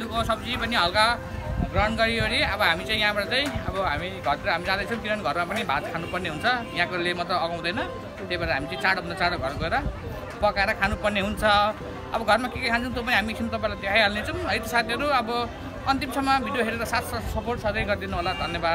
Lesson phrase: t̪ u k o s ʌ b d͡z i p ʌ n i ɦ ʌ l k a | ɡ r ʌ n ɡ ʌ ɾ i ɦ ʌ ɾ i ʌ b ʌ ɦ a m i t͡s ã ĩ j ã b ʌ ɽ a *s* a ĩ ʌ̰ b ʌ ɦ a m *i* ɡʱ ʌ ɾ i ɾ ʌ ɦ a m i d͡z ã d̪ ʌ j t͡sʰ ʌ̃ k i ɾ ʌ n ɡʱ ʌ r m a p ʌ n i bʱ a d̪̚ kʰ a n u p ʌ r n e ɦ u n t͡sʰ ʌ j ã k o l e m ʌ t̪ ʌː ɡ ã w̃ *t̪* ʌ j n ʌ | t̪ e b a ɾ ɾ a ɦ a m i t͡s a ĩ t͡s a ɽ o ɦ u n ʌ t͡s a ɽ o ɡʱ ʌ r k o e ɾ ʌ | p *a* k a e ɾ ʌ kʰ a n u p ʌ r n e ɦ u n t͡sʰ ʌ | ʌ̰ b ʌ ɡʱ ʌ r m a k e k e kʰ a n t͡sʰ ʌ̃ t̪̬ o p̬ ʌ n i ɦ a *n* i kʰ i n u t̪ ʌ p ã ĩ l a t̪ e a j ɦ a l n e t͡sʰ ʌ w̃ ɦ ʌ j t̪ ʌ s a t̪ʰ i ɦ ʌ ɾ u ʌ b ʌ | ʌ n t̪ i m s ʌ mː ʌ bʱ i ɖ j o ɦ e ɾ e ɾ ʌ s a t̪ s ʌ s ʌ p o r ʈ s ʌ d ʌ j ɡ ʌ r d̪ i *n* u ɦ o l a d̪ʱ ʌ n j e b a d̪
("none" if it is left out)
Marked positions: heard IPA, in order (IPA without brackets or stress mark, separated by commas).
t͡s, i, d̪, ʌ, m, n